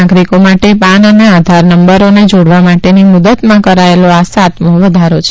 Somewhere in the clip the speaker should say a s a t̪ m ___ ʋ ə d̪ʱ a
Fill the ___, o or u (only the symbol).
o